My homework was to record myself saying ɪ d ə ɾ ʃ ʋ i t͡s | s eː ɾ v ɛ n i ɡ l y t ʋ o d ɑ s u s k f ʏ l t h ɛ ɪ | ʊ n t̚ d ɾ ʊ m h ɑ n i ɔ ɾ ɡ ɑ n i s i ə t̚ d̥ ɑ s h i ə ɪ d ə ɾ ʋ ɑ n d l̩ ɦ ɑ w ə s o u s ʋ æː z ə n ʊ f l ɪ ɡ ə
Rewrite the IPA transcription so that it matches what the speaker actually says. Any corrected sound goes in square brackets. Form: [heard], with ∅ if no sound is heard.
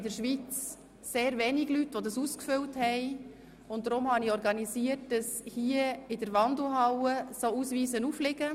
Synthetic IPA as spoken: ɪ d ə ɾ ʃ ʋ i t͡s | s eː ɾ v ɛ n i ɡ l y t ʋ o d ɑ s u s k f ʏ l t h ɛ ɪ | ʊ n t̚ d ɾ ʊ m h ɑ n i ɔ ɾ ɡ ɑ n i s i ə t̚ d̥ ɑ s h i ə ɪ d ə ɾ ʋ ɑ n d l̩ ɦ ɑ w ə s o u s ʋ [iː] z ə n [u] f l ɪ ɡ ə